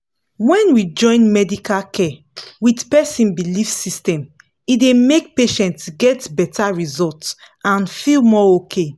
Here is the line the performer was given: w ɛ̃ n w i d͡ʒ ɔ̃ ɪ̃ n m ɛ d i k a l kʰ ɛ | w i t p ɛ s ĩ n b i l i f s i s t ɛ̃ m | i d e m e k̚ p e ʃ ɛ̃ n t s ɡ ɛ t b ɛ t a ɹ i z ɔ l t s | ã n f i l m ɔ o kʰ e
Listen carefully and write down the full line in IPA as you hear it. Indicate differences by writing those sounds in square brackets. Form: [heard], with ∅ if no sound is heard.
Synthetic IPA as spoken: w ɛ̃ n w i d͡ʒ ɔ̃ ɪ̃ n m ɛ d i k a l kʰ ɛ | w i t p ɛ s ĩ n b i l i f s i s t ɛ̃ m | i d e m e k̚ p e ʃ ɛ̃ n t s ɡ ɛ t b ɛ t a ɹ i z ɔ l t s | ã n f i l m ɔ o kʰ e